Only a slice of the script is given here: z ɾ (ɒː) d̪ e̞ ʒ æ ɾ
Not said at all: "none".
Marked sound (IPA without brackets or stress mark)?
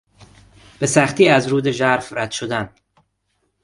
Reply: uː